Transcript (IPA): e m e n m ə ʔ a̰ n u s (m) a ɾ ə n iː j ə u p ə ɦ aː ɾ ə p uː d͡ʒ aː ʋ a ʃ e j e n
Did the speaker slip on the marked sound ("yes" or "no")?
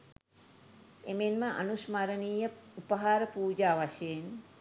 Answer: no